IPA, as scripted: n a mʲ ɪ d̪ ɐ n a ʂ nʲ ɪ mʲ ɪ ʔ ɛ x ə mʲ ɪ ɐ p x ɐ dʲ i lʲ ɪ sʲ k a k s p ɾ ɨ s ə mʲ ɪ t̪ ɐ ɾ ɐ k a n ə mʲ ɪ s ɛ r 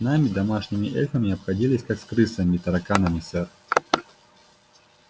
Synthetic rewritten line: n a mʲ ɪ d̪ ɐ m a ʂ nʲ ɪ mʲ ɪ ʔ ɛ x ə mʲ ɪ ɐ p x ɐ dʲ i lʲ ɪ sʲ k a k s k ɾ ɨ s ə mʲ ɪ t̪ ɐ ɾ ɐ k a n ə mʲ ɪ s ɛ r